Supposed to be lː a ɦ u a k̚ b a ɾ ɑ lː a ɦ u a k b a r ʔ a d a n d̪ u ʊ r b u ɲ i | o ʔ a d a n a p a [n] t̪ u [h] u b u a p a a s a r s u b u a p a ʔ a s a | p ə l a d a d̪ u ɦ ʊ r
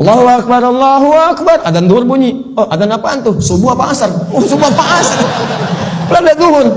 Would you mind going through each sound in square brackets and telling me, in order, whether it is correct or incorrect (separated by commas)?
correct, incorrect